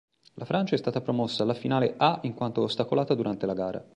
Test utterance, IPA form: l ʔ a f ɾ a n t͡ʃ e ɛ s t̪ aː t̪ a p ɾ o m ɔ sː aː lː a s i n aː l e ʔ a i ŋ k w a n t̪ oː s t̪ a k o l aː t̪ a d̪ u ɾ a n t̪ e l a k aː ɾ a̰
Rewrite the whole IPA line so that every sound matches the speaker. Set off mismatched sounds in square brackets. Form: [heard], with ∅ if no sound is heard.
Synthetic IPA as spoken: l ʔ a f ɾ a n t͡ʃ [a] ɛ s t̪ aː t̪ a p ɾ o m ɔ sː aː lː a [f] i n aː l e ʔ a i ŋ k w a n t̪ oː s t̪ a k o l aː t̪ a d̪ u ɾ a n t̪ e l a [ɡ] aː ɾ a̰